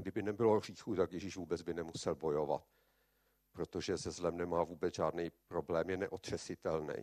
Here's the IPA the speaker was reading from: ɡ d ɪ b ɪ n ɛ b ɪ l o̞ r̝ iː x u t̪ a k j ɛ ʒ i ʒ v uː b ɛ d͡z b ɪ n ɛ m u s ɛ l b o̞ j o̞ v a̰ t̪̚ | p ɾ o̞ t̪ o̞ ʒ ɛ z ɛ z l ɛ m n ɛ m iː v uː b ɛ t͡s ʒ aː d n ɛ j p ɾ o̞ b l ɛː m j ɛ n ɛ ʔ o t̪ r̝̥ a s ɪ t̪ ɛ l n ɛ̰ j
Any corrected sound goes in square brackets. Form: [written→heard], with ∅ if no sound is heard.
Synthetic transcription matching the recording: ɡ d ɪ b ɪ n ɛ b ɪ l o̞ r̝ iː x u t̪ a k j ɛ ʒ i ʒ v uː b ɛ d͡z b ɪ n ɛ m u s ɛ l b o̞ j o̞ v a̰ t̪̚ | p ɾ o̞ t̪ o̞ ʒ ɛ z ɛ z l ɛ m n ɛ m [iː→aː] v uː b ɛ t͡s ʒ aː d n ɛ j p ɾ o̞ b l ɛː m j ɛ n ɛ ʔ o t̪ r̝̥ [a→ɛ] s ɪ t̪ ɛ l n ɛ̰ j